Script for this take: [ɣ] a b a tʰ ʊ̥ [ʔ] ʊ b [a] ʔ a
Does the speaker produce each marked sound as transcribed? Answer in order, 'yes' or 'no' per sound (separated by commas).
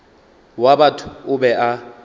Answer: no, no, no